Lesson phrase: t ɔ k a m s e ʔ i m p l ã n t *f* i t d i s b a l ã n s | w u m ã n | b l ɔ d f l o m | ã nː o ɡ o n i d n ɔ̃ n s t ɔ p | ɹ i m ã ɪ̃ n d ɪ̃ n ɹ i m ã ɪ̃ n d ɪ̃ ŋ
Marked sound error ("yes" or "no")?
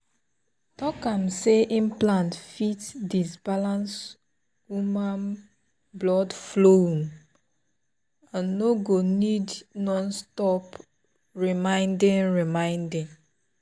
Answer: no